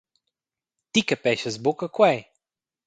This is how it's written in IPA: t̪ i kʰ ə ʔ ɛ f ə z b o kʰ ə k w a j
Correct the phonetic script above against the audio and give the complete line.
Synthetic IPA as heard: t̪ i k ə p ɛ ʃ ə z b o k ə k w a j